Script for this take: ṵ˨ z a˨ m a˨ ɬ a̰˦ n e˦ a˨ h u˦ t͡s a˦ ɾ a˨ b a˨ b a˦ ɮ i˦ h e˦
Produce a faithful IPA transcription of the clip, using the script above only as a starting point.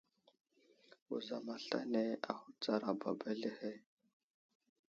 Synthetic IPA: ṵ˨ z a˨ m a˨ ɬ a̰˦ n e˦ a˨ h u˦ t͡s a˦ ɾ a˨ b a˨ b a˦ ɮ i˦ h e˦